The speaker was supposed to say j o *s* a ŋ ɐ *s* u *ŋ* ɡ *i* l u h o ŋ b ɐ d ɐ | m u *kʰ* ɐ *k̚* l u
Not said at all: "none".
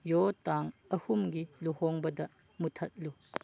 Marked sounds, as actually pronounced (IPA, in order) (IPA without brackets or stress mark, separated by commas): t, h, m, i, tʰ, t̚